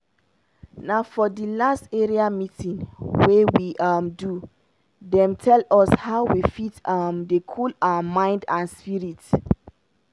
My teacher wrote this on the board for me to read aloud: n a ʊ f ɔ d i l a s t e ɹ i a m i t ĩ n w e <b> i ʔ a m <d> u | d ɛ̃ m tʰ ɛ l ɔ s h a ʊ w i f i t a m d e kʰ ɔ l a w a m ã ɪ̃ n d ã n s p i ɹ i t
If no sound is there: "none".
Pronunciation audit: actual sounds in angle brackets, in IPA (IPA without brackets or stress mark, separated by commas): w, d